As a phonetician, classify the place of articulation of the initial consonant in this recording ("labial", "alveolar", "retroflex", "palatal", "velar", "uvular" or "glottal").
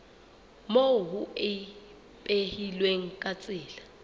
labial